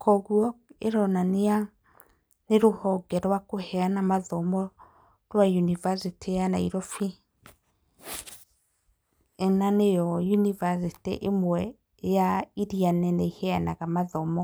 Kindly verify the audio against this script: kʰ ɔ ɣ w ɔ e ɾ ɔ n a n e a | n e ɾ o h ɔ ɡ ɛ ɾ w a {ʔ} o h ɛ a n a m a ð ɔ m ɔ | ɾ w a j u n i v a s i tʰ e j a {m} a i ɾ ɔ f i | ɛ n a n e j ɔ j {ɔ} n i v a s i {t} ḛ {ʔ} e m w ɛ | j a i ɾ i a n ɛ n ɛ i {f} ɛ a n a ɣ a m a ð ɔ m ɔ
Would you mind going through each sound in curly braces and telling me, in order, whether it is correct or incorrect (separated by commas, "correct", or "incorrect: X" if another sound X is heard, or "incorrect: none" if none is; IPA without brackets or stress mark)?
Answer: incorrect: k, incorrect: n, incorrect: u, correct, correct, incorrect: h